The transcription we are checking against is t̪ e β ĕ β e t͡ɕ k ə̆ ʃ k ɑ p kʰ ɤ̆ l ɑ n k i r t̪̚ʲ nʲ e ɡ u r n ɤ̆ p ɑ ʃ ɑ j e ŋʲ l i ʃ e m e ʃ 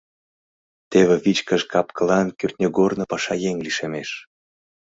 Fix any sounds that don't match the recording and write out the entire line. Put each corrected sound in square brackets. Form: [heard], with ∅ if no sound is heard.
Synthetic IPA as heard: t̪ e β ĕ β [i] t͡ɕ k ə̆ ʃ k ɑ p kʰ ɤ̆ l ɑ n k [y] r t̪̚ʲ nʲ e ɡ [o] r n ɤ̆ p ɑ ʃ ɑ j e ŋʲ l i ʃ e m e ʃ